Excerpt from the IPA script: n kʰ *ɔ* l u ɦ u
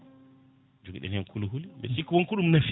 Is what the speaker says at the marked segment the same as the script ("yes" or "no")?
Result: no